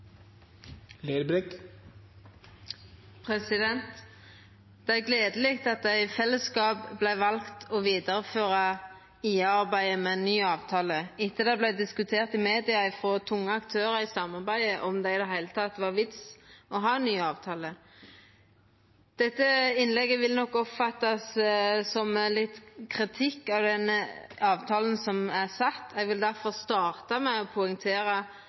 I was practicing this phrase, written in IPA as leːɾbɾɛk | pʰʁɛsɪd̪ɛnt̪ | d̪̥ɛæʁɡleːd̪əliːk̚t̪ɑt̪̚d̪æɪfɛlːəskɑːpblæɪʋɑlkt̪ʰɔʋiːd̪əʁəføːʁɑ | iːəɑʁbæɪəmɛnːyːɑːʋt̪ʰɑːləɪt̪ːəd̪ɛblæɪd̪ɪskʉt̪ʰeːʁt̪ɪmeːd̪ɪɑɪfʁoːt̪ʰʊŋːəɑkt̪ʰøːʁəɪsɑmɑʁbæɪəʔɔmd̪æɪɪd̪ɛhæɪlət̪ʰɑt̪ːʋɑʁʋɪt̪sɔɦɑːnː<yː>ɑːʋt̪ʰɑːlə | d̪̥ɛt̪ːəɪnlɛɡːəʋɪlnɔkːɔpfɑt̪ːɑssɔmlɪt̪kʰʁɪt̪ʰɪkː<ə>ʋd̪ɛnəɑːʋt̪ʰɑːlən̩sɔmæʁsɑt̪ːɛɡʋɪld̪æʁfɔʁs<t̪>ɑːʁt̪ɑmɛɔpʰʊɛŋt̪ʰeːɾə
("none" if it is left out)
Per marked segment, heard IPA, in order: yː, ɑ, t̪

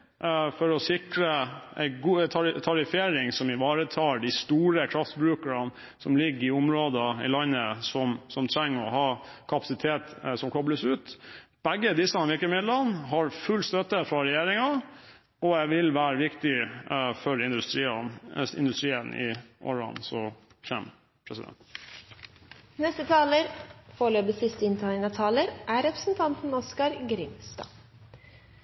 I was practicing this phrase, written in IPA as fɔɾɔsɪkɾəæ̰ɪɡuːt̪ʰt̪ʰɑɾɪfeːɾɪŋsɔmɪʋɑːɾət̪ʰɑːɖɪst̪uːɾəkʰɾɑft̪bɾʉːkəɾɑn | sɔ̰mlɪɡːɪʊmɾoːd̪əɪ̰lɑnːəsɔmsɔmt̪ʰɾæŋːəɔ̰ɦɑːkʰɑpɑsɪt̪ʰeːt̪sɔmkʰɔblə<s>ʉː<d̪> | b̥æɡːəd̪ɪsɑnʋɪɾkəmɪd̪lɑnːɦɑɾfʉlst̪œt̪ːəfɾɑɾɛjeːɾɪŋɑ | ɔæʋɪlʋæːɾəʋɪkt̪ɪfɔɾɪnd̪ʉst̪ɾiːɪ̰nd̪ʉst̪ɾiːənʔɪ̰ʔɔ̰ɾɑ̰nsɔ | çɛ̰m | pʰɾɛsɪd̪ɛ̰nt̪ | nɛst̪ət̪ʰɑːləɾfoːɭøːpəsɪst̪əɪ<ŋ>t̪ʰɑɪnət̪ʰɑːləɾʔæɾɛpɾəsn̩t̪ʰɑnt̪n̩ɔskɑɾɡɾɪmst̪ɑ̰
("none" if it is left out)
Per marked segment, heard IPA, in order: s, t̪, n

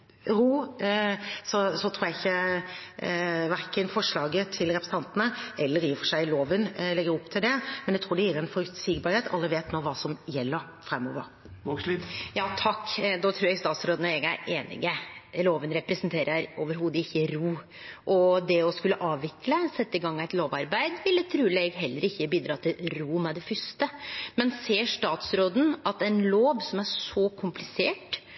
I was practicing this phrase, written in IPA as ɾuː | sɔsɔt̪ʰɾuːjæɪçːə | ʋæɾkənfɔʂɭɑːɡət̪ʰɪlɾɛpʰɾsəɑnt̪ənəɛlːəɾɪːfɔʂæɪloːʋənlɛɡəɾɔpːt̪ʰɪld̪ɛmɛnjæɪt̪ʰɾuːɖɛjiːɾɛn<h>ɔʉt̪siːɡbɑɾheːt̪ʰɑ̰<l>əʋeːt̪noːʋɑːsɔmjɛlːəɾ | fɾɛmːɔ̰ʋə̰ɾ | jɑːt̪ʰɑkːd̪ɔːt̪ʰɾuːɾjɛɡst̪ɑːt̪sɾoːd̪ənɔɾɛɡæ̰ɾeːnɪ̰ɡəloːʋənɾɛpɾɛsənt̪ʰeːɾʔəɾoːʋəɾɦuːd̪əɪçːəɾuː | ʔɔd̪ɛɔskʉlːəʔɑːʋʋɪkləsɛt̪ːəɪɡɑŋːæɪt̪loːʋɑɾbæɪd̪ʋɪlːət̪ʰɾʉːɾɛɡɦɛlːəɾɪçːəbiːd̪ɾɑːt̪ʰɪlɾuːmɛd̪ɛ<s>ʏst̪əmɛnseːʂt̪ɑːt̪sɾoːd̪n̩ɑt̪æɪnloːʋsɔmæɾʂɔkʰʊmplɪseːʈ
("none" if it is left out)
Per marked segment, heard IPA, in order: f, lː, f

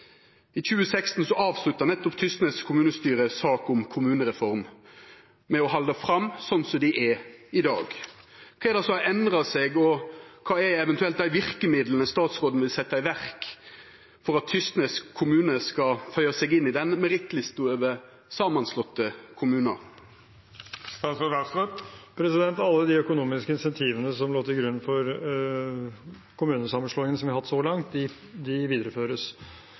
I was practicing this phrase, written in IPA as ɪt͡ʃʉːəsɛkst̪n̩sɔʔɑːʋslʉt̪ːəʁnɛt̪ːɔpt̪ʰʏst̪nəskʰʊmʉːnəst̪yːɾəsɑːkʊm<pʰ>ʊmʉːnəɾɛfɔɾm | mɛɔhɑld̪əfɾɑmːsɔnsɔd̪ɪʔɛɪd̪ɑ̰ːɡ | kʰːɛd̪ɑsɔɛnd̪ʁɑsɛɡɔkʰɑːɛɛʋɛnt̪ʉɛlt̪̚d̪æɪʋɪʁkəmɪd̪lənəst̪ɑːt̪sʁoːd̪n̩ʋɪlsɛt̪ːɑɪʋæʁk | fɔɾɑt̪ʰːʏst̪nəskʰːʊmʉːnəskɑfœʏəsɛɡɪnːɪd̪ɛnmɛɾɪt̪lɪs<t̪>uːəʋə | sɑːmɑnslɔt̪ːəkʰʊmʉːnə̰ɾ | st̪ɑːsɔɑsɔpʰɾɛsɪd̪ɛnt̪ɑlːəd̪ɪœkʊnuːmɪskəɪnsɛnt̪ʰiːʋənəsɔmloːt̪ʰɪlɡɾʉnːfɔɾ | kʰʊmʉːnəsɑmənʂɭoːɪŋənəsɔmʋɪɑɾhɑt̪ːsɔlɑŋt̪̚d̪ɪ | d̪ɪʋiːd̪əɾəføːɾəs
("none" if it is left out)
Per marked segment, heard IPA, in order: kʰ, t̪

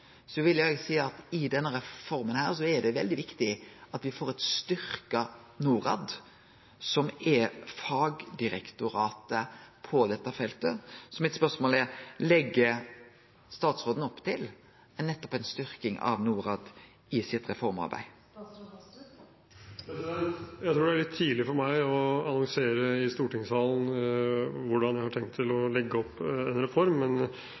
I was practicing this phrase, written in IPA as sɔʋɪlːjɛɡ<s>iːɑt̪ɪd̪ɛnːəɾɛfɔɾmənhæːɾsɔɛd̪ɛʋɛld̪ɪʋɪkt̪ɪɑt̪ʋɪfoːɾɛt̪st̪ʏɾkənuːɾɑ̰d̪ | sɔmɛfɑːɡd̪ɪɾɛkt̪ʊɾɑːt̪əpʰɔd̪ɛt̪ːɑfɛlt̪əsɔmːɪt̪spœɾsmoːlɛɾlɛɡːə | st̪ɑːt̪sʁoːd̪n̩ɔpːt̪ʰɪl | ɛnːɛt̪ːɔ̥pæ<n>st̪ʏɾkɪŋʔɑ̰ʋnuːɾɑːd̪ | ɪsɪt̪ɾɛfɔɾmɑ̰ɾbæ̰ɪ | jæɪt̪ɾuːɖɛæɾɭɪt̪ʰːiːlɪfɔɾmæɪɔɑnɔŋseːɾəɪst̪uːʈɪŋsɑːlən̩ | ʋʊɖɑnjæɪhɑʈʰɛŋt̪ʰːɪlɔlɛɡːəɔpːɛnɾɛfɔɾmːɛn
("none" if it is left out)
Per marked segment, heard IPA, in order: s, n

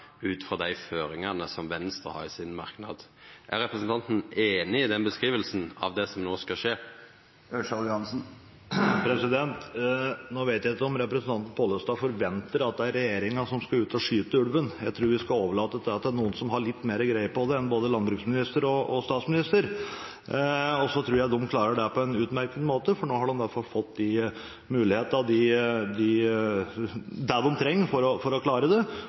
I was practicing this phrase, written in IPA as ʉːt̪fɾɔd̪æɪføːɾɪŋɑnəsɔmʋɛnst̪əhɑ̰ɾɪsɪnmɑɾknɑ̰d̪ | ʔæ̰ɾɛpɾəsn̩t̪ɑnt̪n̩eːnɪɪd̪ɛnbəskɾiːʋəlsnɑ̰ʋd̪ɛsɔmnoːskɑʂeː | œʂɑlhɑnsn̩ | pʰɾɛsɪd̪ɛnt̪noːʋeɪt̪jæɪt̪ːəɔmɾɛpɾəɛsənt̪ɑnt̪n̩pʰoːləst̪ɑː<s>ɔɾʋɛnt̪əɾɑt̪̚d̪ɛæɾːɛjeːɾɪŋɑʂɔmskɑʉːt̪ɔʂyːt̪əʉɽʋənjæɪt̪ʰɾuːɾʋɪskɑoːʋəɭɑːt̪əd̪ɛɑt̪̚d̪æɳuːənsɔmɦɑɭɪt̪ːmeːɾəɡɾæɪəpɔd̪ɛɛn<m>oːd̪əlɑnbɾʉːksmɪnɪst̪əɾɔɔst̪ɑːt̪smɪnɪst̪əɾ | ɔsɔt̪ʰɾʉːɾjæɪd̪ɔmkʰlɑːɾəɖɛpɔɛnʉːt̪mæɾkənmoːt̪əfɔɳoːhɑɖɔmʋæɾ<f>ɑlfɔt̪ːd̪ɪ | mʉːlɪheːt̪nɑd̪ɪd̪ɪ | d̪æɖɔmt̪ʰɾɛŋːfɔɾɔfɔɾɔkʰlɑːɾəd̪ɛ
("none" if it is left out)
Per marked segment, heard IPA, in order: f, b, f

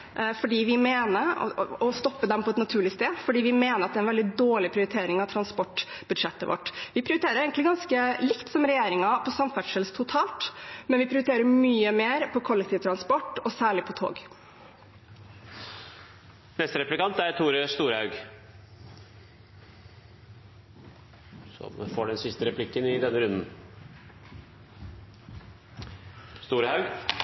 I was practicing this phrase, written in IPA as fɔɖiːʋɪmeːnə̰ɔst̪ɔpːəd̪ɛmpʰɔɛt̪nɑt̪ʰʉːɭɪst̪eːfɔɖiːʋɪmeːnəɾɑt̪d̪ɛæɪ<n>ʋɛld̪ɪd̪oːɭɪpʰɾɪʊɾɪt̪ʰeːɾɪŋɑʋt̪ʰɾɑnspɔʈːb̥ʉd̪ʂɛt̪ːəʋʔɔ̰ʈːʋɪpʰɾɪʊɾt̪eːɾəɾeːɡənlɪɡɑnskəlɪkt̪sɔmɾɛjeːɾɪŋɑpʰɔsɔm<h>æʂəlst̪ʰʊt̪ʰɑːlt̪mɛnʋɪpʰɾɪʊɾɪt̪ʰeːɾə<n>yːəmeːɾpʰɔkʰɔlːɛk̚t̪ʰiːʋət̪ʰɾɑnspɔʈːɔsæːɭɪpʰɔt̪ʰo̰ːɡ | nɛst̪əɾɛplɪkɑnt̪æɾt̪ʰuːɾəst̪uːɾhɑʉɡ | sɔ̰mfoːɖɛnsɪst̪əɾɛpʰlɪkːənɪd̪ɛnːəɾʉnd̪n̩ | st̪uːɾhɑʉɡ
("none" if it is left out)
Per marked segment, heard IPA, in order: n, f, m

